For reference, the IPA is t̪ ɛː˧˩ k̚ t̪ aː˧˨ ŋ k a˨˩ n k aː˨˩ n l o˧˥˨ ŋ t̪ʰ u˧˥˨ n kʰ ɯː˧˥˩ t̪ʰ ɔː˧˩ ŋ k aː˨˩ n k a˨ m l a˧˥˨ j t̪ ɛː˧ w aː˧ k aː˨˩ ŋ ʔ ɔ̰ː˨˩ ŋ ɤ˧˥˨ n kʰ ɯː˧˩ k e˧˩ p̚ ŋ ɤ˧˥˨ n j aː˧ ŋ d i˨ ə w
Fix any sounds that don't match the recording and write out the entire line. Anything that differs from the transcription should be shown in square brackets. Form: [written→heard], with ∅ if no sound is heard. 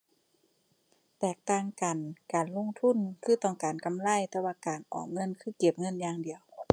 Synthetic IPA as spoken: t̪ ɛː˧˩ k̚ t̪ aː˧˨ ŋ k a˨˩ n k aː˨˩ n l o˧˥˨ ŋ t̪ʰ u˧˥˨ n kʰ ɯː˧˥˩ [t̪ʰ→t̪] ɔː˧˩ ŋ k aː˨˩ n k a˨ m l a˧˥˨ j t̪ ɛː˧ w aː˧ k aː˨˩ [ŋ→n] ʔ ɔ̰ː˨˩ ŋ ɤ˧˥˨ n kʰ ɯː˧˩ k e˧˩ p̚ ŋ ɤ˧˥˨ n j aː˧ ŋ d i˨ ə w